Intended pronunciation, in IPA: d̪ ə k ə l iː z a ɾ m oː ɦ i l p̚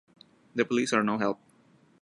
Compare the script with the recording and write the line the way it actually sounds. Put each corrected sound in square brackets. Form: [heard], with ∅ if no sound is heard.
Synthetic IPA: d̪ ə [p] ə l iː [s] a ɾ [n] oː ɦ [ɛ] l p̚